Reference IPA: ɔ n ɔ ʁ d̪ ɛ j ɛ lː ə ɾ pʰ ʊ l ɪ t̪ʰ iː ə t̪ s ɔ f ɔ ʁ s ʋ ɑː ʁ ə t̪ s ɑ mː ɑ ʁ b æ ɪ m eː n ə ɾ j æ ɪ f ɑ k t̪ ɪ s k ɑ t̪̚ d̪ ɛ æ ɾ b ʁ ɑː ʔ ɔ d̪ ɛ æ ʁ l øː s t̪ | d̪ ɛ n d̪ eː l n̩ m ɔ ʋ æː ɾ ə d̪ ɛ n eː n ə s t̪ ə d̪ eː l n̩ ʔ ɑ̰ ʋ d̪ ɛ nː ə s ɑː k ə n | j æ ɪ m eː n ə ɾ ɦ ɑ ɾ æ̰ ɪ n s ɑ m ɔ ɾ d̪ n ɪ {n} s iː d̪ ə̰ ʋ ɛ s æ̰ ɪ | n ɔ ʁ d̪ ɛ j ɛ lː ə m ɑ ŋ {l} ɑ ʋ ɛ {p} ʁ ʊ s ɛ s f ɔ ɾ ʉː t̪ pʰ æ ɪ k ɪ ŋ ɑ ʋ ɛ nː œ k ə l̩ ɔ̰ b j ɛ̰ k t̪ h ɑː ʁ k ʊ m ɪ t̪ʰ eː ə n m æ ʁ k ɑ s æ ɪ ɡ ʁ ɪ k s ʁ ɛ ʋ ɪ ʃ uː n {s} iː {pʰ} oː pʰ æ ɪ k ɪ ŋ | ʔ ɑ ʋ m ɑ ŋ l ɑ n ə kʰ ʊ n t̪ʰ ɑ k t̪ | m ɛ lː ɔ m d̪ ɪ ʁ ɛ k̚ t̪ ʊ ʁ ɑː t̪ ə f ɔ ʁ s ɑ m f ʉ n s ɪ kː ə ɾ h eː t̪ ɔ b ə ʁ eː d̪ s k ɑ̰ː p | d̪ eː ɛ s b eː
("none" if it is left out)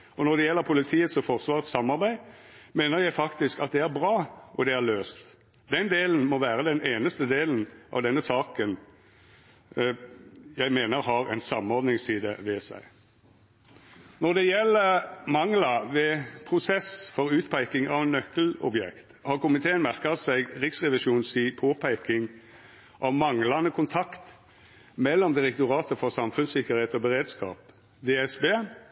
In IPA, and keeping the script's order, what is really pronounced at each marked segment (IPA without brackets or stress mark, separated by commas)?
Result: ŋ, l, pʰ, s, pʰ